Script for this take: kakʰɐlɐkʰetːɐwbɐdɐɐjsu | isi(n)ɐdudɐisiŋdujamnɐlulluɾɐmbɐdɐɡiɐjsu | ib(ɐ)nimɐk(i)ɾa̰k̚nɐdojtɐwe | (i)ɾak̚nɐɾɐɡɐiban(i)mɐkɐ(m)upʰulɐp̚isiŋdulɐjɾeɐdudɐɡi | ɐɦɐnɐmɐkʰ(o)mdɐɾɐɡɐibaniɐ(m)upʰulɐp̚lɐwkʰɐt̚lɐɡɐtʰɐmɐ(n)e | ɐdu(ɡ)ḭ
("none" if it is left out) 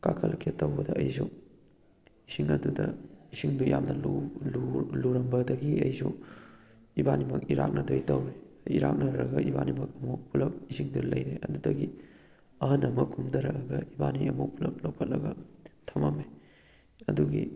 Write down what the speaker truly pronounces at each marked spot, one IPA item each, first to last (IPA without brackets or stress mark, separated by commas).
ŋ, a, i, i, i, m, u, m, m, ɡ